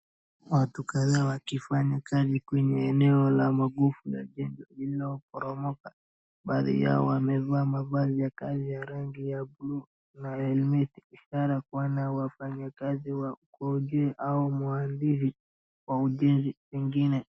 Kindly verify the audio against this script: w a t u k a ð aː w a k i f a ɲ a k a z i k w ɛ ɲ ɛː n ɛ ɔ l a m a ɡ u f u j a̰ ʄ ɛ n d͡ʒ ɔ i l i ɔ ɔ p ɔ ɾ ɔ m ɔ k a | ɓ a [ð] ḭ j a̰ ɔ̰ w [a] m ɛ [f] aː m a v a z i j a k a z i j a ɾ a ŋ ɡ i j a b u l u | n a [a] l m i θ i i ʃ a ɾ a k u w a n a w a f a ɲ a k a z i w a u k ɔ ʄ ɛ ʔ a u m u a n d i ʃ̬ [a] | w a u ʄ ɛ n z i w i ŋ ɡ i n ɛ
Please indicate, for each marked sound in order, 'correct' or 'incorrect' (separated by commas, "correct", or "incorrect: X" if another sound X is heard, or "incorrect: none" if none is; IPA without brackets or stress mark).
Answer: correct, correct, incorrect: v, incorrect: ɛ, incorrect: i